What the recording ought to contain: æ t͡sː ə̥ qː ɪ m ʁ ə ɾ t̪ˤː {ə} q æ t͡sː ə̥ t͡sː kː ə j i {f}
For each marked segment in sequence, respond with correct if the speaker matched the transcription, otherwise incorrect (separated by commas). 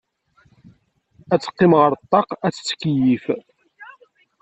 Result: incorrect, correct